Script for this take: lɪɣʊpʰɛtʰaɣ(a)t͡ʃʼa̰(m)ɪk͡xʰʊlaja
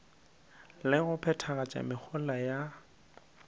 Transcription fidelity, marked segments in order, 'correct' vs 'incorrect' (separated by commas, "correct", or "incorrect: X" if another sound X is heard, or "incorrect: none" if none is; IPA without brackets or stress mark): correct, correct